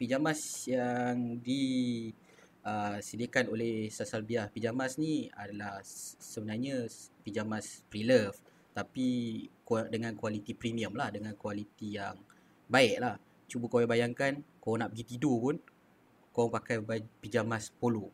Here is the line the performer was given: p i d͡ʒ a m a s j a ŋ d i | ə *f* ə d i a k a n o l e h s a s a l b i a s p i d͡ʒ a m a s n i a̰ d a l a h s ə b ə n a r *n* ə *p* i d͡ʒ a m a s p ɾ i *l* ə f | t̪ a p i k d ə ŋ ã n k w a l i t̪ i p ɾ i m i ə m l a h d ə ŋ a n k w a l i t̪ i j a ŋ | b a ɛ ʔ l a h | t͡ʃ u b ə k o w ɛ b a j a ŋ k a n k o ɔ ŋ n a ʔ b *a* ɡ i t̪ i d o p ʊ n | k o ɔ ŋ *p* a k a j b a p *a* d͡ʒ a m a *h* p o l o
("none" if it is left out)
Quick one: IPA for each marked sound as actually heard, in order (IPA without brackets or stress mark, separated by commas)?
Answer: s, ɲ, p, l, ə, p, i, s